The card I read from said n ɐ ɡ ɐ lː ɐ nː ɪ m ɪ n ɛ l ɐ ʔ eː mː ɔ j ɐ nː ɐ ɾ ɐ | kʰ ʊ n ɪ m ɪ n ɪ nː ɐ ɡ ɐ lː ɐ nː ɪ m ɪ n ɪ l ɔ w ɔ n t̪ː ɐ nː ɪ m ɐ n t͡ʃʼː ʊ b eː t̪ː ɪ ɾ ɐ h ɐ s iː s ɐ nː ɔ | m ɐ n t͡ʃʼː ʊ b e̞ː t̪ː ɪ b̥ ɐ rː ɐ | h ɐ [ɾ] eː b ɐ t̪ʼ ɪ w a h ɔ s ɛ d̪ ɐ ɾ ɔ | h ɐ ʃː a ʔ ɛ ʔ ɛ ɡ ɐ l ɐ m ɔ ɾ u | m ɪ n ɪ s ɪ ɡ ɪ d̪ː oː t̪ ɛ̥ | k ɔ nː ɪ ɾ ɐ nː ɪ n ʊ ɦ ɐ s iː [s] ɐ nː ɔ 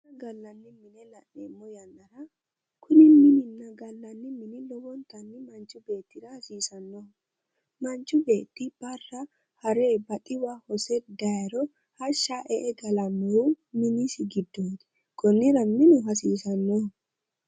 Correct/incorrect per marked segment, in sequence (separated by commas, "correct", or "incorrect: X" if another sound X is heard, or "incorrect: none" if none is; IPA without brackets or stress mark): correct, correct